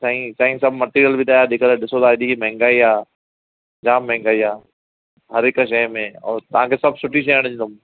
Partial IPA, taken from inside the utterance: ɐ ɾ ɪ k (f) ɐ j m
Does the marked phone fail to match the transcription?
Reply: yes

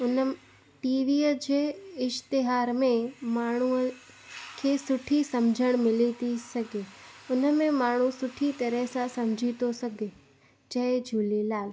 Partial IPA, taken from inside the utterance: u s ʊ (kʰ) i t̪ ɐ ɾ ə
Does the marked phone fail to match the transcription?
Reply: yes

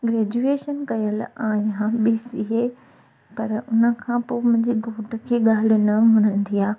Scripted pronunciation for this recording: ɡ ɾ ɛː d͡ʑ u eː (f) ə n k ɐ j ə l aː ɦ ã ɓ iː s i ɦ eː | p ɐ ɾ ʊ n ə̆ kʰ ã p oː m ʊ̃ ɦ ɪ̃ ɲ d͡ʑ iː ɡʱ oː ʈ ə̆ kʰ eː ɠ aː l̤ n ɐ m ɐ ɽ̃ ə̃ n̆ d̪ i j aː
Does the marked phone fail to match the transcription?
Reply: yes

